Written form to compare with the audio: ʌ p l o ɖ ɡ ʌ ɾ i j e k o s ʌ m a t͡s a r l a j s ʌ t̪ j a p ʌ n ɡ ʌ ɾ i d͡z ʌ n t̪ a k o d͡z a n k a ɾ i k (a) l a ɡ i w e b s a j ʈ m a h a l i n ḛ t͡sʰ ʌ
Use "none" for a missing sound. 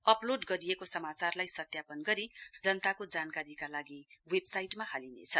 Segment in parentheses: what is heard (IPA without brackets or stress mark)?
a